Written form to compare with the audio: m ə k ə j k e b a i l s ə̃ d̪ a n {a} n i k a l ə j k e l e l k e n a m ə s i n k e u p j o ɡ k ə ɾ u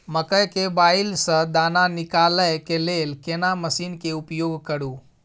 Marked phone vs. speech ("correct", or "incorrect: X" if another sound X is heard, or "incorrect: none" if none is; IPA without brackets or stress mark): correct